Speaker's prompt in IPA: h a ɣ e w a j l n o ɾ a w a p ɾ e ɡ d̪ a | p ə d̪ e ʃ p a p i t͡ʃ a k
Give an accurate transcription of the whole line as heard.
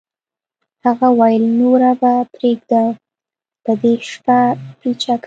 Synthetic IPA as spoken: h a ɣ a w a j l n o ɾ a b a p ɾ e ɡ d̪ a | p ə d̪ e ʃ p a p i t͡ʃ a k